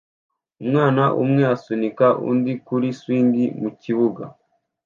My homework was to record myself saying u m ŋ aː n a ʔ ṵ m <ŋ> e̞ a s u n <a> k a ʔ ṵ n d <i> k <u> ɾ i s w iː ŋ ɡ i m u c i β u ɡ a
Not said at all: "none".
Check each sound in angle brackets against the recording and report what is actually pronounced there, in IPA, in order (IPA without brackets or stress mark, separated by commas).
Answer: ŋ, i, i, u